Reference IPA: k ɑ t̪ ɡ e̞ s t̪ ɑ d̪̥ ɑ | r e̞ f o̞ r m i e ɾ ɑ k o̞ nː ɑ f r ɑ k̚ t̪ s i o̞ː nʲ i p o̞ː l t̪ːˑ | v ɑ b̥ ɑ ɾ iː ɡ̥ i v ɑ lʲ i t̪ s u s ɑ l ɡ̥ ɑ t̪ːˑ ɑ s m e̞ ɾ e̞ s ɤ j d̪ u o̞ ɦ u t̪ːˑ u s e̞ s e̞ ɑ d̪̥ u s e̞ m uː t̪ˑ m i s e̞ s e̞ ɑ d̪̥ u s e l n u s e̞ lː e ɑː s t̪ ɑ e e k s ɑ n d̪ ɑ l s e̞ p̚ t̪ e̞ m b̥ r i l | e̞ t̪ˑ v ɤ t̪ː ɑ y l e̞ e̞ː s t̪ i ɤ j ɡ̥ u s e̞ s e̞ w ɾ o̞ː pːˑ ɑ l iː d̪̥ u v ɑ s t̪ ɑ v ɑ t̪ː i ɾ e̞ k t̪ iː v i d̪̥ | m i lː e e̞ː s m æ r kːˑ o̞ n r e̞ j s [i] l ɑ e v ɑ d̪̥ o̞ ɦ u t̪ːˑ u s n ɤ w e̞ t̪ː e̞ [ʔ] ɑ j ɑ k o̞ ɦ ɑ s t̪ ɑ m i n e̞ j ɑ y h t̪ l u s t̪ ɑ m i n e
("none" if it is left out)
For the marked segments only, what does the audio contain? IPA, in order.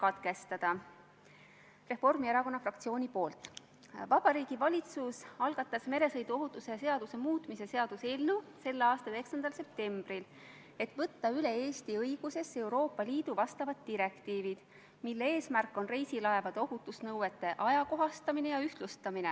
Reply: i, ʔ

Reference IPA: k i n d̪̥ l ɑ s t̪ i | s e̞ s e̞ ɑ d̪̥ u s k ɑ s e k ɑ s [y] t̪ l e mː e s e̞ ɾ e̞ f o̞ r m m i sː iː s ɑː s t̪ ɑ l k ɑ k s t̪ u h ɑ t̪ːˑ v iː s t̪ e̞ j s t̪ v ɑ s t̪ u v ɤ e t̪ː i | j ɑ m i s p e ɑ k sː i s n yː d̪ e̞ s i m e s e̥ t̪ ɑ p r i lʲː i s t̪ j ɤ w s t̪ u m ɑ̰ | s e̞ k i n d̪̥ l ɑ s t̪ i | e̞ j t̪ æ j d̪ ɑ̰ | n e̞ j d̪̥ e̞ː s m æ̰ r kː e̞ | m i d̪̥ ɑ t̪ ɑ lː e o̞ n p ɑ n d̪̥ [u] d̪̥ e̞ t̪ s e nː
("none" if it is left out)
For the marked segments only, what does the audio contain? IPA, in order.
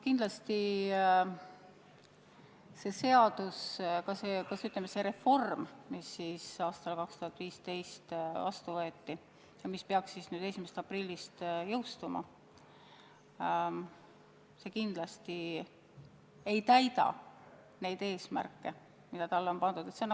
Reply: y, u

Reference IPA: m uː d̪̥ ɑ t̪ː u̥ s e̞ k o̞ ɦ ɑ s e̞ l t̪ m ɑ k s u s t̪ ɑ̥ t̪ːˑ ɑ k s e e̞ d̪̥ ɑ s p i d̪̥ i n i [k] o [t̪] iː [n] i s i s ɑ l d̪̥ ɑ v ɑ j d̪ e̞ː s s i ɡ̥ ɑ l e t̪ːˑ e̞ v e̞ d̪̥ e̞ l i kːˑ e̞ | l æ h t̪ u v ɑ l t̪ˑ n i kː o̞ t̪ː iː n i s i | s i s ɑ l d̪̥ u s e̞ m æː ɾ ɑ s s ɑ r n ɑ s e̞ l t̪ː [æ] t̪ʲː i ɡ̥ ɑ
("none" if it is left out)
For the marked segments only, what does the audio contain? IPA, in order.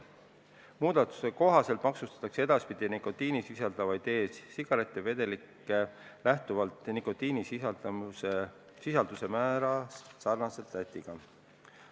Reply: k, t̪, n, æ

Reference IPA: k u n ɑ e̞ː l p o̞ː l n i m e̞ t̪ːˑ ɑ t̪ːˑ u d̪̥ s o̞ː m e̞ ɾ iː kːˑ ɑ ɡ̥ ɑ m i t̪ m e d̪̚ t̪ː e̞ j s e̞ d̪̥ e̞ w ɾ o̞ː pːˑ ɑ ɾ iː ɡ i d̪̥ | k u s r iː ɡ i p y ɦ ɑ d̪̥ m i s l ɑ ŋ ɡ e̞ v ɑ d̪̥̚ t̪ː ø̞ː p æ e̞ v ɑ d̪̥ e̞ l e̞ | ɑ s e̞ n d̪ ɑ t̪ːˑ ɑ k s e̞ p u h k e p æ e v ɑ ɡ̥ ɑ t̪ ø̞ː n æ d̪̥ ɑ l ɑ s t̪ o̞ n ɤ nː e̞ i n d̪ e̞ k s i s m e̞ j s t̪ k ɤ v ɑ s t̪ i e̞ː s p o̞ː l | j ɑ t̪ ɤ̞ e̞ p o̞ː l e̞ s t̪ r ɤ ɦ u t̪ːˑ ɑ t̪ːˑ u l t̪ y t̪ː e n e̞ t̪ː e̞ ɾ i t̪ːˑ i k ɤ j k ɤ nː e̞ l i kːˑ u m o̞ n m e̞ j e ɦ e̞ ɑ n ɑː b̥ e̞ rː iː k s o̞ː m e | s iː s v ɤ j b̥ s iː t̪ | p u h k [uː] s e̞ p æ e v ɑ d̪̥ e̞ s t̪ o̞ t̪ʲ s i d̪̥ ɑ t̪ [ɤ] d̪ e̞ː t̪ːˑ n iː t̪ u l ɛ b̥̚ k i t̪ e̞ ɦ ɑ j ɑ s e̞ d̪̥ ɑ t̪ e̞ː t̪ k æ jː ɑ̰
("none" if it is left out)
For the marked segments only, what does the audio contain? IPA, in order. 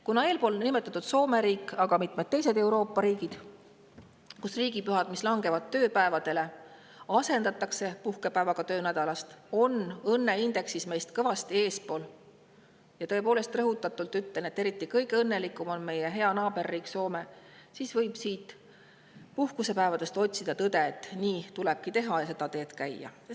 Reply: u, ɤ

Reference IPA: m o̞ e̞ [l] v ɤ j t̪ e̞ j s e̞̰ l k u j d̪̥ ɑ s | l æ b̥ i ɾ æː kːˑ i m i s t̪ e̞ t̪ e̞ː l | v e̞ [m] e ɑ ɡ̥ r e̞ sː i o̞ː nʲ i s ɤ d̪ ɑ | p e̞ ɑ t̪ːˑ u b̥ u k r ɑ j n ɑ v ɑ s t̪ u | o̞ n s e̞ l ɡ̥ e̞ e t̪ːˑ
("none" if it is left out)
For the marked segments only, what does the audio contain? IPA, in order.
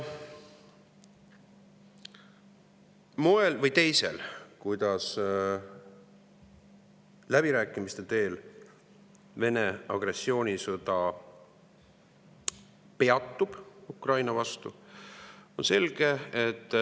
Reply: l, n

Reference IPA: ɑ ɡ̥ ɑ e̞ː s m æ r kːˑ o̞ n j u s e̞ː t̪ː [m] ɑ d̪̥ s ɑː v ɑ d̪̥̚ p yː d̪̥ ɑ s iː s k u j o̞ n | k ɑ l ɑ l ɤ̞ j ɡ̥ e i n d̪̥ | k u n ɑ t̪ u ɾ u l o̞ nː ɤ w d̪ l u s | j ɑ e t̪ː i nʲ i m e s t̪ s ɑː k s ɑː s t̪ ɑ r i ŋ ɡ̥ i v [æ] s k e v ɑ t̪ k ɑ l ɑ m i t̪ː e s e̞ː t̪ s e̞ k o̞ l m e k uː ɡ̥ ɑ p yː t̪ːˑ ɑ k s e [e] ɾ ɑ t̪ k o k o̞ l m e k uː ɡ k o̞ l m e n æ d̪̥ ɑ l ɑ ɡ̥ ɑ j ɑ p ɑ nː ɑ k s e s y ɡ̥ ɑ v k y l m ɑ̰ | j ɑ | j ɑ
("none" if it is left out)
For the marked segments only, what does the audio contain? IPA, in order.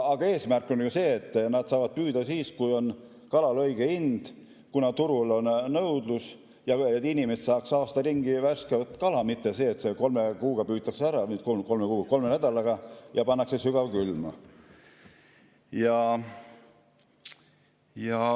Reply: n, æ, æ

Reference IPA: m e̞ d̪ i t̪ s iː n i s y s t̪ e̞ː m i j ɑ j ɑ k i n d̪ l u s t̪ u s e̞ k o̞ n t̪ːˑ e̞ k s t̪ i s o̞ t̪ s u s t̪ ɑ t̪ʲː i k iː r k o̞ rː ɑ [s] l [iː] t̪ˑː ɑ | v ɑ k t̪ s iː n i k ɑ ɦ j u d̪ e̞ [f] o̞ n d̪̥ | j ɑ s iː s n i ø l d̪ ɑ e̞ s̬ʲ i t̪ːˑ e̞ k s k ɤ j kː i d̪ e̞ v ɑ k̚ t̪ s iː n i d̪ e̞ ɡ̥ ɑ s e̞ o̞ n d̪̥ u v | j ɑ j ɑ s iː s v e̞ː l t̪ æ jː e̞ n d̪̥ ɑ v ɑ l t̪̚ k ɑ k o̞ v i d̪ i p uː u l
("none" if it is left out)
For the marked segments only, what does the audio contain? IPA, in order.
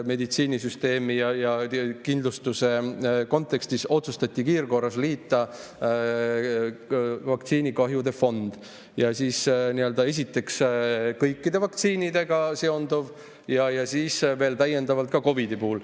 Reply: s, iː, f

